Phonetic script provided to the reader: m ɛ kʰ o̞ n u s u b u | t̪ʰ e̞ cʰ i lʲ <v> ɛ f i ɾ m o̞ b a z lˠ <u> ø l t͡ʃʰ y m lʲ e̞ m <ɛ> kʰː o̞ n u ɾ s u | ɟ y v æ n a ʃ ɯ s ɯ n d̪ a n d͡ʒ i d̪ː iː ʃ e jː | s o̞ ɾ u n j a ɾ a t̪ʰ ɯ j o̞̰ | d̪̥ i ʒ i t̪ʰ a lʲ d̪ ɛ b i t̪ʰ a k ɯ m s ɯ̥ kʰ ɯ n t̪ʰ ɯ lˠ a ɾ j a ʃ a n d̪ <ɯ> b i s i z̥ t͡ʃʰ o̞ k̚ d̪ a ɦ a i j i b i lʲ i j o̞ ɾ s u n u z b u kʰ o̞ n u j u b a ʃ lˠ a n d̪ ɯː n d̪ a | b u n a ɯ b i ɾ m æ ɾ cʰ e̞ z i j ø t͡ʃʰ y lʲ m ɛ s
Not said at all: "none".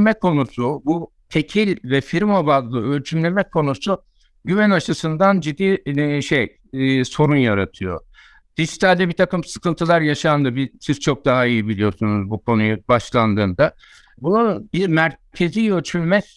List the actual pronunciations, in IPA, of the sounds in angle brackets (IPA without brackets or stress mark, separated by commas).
v, ɯ, ɛ, ɯ